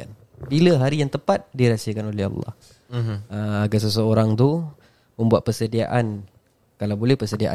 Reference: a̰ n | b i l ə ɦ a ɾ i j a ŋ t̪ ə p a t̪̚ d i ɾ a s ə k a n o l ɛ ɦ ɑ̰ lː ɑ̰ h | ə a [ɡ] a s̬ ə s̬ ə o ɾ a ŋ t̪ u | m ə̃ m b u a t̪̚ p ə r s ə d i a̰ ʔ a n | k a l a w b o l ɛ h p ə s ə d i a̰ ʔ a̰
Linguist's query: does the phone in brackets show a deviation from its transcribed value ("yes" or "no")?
no